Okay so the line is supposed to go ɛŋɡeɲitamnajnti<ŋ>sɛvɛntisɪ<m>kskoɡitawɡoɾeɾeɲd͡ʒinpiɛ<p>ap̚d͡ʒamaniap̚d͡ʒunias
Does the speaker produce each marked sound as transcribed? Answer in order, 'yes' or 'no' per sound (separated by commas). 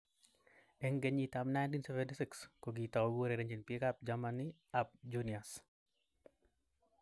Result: no, no, no